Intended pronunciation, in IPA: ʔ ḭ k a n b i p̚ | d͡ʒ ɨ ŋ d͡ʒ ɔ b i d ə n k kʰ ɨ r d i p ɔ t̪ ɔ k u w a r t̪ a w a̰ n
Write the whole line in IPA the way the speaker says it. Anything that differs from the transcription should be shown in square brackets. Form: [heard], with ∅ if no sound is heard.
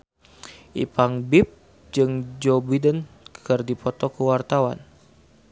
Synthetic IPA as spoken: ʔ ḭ [p] a [ŋ] b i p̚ | d͡ʒ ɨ ŋ d͡ʒ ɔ b i d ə n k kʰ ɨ r d i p ɔ t̪ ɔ k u w a r t̪ a w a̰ n